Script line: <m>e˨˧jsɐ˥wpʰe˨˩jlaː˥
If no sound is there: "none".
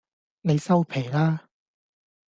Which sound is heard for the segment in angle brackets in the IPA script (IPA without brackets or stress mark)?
n